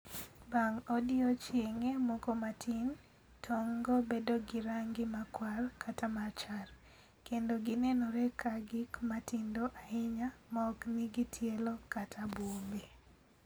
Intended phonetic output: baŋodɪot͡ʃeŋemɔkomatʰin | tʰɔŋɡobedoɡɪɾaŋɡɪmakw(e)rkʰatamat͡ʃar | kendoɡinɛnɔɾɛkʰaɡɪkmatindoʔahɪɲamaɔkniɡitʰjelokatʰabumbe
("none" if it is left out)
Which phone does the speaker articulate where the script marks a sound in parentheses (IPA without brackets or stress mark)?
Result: a